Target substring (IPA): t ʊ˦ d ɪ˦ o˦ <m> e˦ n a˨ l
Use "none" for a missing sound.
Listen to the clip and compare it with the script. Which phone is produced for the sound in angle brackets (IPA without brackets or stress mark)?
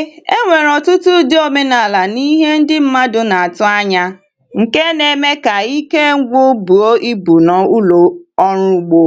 m